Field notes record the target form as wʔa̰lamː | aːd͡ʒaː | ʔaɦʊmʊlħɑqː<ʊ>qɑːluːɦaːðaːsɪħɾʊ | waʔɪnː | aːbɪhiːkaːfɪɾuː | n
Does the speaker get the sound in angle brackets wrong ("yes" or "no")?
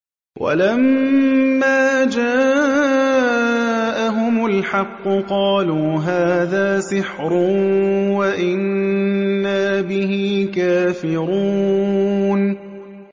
no